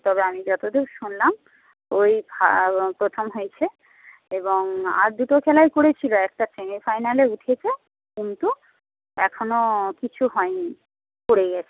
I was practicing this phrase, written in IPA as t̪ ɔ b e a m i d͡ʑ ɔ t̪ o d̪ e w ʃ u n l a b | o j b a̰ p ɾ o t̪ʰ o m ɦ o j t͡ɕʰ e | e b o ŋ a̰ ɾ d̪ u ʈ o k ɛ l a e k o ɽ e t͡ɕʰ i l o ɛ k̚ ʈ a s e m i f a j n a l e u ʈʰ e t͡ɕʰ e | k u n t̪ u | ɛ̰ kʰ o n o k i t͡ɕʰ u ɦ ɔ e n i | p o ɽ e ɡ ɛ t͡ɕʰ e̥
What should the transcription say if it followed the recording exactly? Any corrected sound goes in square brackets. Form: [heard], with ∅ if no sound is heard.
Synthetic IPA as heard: t̪ ɔ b e a m i d͡ʑ ɔ t̪ o d̪ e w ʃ u n l a [m] | o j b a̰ p ɾ o t̪ʰ o m ɦ o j t͡ɕʰ e | e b o ŋ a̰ ɾ d̪ u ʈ o [kʰ] ɛ l a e k o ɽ e t͡ɕʰ i l o ɛ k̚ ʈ a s e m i f a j n a l e u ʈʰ e t͡ɕʰ e | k u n t̪ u | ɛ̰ kʰ o n o k i t͡ɕʰ u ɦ ɔ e n i | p o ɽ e ɡ ɛ t͡ɕʰ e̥